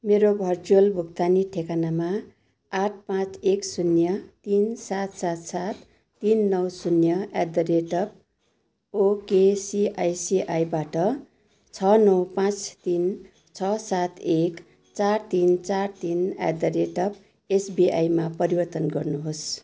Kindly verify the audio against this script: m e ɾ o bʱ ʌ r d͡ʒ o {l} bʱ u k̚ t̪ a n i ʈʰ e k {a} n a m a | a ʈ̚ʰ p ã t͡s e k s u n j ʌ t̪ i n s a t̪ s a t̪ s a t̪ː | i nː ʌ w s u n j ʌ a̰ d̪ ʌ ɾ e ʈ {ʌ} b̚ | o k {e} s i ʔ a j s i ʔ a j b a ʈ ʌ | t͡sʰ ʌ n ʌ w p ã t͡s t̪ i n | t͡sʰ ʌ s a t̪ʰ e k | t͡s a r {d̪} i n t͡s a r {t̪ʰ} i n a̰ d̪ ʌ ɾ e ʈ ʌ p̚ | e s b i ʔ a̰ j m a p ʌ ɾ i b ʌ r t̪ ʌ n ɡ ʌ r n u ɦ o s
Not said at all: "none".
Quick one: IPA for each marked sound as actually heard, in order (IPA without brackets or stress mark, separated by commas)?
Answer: l, a, ʌ, e, t̪, t̪